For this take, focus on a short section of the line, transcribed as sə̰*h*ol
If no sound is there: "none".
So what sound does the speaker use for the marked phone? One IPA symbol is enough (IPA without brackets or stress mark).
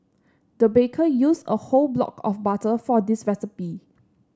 h